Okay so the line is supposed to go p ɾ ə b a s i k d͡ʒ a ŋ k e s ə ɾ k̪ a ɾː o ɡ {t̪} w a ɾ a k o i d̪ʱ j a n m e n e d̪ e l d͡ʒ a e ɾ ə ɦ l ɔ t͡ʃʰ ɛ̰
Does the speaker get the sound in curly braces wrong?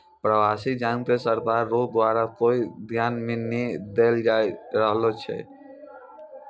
yes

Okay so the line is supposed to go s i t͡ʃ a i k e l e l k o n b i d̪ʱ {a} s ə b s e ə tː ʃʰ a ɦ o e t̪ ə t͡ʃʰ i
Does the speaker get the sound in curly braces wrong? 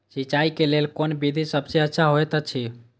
yes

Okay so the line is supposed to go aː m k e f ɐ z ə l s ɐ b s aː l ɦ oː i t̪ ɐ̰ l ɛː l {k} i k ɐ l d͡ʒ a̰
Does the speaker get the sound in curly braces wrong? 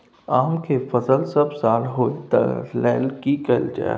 no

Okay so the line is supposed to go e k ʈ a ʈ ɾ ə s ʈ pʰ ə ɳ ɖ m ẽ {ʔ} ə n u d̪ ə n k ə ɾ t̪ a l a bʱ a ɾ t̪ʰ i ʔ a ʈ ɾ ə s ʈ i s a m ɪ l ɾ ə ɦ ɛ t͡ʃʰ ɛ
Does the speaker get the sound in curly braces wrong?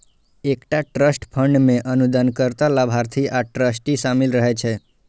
no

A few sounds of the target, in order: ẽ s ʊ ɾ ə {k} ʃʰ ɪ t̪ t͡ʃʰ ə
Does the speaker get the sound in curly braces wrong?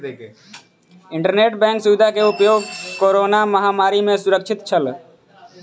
no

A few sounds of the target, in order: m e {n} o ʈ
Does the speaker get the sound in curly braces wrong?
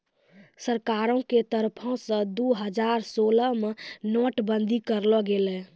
no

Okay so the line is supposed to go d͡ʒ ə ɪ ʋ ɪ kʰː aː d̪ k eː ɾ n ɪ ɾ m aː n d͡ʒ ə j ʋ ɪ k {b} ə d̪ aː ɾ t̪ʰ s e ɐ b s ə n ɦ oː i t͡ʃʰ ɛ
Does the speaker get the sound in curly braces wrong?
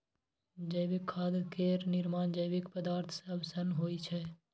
yes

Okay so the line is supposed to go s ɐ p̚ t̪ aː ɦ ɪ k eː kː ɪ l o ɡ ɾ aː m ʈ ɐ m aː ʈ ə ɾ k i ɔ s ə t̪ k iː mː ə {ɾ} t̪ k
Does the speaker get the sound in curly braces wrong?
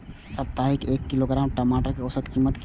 yes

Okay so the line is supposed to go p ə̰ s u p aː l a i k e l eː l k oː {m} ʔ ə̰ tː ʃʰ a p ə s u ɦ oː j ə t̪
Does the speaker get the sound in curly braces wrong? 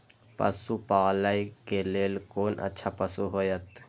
yes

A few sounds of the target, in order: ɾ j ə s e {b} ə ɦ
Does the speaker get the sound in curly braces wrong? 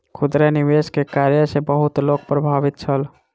no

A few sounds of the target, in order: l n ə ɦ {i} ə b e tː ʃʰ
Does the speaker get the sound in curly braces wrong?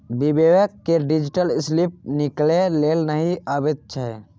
no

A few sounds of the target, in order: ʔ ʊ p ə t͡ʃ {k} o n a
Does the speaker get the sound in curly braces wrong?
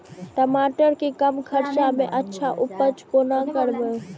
no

